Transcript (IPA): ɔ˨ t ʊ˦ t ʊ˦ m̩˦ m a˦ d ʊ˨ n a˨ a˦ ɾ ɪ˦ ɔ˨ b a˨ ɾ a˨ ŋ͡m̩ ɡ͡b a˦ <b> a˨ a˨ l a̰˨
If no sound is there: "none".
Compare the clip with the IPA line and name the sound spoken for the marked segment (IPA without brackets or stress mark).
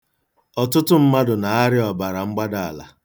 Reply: d